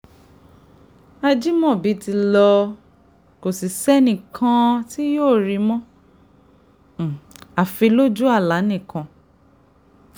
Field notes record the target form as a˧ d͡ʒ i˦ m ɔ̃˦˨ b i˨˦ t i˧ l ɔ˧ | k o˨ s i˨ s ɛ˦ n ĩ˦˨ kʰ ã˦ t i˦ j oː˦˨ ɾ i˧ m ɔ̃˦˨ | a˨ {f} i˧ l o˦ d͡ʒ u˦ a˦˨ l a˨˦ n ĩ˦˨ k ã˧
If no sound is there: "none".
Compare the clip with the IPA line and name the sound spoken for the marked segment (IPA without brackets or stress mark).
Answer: f